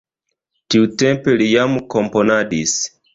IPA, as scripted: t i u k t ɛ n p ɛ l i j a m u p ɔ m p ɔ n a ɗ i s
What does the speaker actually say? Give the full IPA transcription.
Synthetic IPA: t i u t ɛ m p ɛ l i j a m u k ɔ m p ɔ n a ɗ i s